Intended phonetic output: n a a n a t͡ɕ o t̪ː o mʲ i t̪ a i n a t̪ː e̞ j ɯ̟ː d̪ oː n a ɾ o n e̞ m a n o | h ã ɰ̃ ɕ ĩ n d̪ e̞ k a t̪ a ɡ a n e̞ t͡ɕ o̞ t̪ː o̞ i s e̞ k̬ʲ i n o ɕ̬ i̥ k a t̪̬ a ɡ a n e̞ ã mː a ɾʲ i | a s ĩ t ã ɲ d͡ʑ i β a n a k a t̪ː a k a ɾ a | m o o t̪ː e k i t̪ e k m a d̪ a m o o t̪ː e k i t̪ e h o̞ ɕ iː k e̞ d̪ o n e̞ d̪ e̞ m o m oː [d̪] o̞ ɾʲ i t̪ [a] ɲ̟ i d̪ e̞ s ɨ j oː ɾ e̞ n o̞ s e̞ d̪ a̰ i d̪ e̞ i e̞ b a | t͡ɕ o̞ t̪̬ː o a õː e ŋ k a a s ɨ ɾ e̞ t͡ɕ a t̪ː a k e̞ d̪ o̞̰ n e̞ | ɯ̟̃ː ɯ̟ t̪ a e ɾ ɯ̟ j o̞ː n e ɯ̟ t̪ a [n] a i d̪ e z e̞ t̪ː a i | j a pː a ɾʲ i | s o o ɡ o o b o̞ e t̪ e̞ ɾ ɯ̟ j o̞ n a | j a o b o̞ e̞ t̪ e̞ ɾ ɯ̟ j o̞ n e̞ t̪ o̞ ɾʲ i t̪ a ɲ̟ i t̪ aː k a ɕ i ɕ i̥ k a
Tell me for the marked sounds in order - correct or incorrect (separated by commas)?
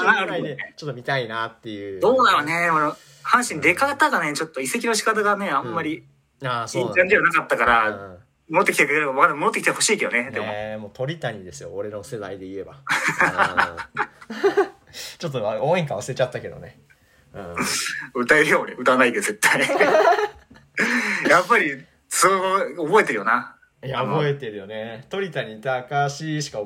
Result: incorrect, correct, correct